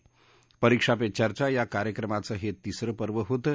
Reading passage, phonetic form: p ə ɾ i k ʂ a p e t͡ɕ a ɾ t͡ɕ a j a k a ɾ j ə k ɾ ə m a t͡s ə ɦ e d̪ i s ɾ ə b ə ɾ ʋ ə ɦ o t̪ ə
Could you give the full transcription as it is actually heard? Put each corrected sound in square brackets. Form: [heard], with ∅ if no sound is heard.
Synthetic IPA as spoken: p ə ɾ i k ʂ a p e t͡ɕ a ɾ t͡ɕ a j a k a ɾ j ə k ɾ ə m a t͡s ə ɦ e [t̪] i s ɾ ə [p] ə ɾ ʋ ə ɦ o t̪ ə